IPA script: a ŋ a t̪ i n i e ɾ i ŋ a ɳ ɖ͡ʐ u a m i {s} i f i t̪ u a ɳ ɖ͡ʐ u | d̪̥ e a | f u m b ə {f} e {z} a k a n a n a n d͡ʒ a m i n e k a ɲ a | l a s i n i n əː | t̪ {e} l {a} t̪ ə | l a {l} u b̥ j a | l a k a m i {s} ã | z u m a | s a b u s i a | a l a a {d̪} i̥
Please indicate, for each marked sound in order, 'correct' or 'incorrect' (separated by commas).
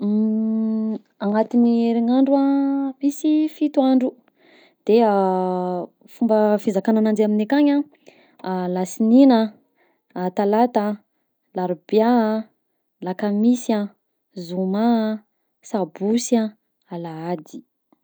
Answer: correct, correct, correct, incorrect, correct, incorrect, correct, correct